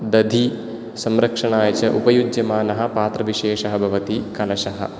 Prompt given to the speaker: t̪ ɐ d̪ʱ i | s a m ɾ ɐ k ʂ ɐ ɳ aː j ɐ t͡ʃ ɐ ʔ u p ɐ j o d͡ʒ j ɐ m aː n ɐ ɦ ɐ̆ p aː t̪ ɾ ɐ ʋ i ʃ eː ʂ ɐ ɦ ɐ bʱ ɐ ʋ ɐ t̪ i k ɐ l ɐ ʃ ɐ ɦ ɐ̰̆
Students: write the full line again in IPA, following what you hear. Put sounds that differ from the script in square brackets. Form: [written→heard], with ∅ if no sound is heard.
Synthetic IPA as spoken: [t̪→d̪] ɐ d̪ʱ i | s [a→ɐ] m ɾ ɐ k ʂ ɐ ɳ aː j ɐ t͡ʃ ɐ ʔ u p ɐ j [o→u] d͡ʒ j ɐ m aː n ɐ ɦ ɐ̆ p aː t̪ ɾ ɐ ʋ i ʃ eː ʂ ɐ ɦ ɐ bʱ ɐ ʋ ɐ t̪ i k ɐ l ɐ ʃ ɐ ɦ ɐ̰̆